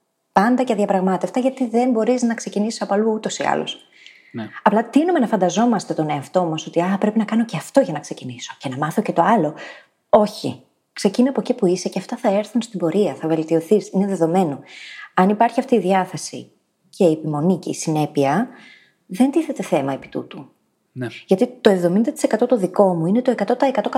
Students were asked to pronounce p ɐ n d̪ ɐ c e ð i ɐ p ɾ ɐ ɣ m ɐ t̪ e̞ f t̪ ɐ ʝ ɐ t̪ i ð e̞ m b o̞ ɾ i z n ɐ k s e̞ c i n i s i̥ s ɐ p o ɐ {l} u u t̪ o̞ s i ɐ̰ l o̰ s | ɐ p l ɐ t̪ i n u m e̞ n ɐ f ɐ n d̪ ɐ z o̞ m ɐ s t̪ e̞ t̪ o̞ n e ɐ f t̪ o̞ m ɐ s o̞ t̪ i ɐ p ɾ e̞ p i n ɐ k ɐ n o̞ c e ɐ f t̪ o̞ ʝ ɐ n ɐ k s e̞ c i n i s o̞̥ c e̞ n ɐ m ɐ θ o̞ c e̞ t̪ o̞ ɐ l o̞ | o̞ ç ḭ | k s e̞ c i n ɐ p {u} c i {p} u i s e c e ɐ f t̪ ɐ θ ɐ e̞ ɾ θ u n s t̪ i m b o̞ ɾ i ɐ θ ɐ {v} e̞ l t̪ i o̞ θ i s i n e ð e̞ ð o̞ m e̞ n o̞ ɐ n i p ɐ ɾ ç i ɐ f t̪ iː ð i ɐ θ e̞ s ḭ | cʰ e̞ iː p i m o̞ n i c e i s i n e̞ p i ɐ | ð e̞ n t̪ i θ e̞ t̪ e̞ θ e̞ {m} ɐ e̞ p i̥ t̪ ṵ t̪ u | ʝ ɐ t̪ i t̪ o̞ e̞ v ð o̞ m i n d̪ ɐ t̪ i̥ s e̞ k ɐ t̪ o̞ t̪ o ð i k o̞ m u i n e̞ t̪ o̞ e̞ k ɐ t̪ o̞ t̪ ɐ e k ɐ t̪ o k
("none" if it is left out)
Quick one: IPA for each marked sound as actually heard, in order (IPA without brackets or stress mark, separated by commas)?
l, o, p, v, m